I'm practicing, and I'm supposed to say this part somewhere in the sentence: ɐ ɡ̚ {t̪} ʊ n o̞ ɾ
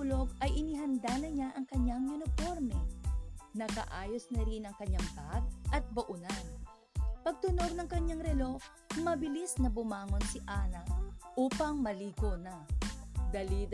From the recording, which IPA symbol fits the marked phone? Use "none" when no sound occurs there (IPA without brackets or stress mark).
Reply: t̪